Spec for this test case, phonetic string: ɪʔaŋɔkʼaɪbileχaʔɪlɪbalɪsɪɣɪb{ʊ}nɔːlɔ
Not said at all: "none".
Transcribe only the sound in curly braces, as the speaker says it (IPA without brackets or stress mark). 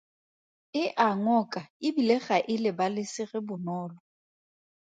ʊ